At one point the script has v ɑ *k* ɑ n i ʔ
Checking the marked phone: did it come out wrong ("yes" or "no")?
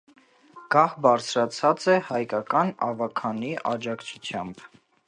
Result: yes